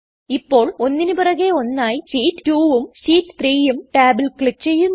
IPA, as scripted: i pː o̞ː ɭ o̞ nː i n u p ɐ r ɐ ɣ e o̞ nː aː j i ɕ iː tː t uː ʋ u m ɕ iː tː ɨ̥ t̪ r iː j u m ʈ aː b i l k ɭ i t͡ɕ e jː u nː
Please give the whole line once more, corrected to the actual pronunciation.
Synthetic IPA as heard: i pː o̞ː ɭ o̞ nː i n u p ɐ r ɐ ɣ e o̞ nː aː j i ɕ iː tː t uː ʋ u m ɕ iː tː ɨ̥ t̪ r iː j u m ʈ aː b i l k ɭ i t͡ɕ e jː u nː